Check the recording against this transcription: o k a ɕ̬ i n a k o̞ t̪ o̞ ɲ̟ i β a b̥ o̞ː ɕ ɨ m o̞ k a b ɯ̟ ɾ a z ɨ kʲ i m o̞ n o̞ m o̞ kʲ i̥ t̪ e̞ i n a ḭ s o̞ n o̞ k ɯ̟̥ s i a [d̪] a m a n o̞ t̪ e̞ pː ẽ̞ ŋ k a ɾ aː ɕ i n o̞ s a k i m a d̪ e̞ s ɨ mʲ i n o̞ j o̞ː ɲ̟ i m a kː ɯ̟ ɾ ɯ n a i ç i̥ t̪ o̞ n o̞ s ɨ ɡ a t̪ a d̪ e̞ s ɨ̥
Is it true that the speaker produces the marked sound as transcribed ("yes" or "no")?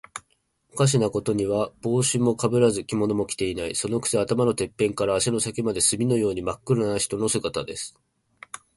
no